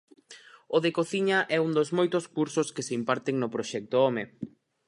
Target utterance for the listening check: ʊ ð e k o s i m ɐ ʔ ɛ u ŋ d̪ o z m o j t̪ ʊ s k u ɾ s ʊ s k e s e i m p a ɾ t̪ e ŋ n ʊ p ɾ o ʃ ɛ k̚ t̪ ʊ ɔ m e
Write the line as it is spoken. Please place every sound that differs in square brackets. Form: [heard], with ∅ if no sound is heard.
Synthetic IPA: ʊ ð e k o [θ] i [ɲ] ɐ ʔ ɛ u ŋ d̪ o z m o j t̪ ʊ s k u ɾ s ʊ s k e s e i m p a ɾ t̪ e ŋ n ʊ p ɾ o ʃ ɛ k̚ t̪ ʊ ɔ m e